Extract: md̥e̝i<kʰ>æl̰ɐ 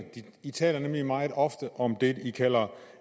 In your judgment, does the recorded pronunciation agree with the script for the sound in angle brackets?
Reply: yes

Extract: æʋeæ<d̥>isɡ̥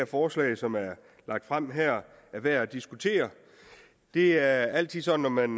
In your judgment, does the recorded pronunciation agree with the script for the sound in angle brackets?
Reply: yes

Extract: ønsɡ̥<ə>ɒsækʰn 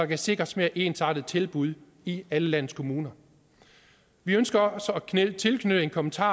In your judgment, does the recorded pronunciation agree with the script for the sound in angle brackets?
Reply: no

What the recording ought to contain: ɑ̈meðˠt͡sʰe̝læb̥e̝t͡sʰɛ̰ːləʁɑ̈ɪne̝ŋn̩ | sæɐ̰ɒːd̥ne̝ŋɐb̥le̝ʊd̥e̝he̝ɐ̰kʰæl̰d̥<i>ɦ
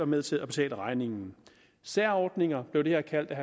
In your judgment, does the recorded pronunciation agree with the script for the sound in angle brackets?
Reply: no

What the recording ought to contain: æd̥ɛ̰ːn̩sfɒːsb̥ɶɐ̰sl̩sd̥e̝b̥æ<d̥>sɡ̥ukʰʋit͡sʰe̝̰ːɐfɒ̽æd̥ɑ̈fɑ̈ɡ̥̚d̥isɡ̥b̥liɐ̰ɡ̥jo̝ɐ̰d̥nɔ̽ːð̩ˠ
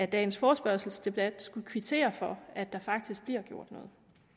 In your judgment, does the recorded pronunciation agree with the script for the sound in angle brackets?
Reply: yes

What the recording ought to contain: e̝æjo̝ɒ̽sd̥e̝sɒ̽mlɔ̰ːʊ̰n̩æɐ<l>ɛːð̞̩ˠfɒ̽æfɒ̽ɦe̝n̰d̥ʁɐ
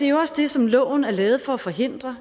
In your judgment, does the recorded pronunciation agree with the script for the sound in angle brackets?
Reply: yes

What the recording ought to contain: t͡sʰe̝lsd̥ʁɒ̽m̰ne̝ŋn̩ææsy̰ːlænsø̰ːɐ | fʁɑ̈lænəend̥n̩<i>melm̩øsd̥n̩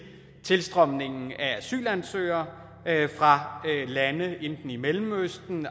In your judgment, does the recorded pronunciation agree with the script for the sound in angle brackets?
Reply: yes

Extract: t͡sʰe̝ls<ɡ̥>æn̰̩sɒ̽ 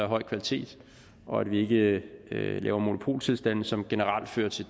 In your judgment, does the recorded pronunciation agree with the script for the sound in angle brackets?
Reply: no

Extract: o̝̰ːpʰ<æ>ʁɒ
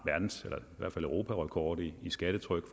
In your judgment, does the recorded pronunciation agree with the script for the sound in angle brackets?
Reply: yes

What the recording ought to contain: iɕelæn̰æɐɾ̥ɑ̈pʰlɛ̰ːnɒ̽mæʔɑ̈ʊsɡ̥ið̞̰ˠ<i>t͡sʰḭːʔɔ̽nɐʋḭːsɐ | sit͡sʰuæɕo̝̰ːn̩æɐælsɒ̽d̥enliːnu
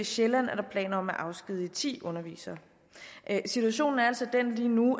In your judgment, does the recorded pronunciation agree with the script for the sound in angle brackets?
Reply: yes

